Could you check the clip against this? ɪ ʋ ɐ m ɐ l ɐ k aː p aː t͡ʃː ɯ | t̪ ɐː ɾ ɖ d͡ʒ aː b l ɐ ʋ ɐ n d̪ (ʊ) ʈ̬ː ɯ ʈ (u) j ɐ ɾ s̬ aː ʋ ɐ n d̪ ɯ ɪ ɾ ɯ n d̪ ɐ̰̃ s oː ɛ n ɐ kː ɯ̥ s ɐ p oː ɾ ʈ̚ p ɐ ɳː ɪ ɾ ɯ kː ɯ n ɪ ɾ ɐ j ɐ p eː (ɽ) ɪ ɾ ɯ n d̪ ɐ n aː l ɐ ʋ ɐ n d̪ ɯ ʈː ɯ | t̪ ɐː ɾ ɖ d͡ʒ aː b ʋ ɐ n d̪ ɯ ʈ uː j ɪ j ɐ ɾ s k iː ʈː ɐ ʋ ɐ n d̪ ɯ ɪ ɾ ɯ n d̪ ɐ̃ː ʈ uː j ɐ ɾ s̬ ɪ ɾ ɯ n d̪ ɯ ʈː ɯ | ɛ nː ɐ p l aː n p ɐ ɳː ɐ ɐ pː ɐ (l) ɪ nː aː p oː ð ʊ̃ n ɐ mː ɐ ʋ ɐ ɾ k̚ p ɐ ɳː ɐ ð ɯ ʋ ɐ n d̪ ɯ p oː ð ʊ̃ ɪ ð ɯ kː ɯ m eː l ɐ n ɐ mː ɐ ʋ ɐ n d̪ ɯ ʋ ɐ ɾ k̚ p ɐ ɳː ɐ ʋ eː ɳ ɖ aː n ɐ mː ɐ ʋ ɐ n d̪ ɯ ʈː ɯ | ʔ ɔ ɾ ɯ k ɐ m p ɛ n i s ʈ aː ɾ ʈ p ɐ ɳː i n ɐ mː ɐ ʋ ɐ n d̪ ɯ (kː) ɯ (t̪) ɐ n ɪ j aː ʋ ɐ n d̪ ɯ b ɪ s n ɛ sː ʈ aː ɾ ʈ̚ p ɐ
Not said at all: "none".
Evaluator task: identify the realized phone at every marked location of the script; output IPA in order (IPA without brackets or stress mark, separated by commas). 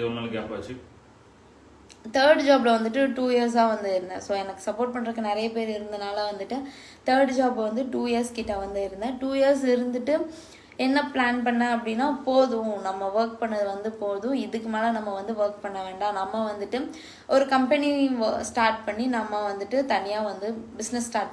ɯ, uː, ɾ, ɽ, ʈː, t̪